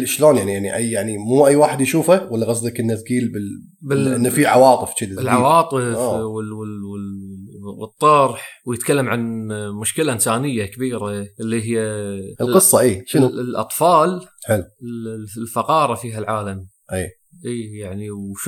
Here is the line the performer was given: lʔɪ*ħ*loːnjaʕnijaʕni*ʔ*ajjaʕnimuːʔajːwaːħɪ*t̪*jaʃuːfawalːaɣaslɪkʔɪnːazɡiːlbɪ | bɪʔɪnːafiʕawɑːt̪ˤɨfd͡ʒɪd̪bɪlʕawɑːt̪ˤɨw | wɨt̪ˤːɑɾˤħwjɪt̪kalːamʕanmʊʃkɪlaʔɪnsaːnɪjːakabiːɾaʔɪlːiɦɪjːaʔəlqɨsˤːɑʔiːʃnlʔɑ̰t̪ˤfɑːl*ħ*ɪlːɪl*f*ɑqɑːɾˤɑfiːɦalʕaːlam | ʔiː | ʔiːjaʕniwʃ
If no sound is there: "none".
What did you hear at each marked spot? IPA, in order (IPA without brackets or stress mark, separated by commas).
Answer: ʃ, ʔ, d̪, ħ, f